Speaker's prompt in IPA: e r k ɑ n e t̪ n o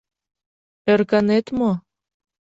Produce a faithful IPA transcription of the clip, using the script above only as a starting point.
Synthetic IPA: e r k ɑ n e t̪ m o